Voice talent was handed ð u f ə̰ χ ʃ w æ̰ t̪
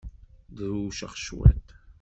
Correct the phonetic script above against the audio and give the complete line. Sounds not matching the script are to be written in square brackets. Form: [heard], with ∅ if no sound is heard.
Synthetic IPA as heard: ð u [ʃ] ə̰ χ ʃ w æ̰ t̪